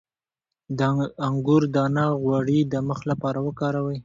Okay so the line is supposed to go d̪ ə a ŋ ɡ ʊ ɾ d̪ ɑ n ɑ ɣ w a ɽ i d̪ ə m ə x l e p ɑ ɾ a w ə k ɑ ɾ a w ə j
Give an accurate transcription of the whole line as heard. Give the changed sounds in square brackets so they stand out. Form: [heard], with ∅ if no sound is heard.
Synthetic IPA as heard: d̪ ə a ŋ ɡ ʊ ɾ d̪ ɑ n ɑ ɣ w a ɽ i d̪ ə m ə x l [a] p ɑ ɾ a w ə k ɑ ɾ a w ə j